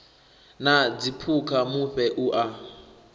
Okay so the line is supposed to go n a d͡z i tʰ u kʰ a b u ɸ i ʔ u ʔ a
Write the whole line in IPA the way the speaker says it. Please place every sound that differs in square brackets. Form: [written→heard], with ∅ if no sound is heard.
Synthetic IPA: n a d͡z i [tʰ→pʰ] u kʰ a [b→m] u ɸ [i→ɛ] ʔ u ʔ a